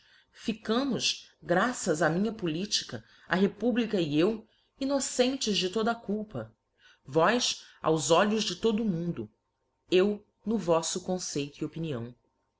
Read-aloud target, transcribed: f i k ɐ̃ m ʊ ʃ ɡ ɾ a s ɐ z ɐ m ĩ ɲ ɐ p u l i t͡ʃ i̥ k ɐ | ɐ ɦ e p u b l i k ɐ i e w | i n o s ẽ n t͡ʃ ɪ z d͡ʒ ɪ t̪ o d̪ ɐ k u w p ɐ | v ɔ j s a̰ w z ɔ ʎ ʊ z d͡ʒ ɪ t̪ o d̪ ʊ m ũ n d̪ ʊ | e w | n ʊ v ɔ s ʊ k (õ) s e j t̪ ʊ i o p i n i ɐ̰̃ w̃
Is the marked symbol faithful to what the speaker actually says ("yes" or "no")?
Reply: yes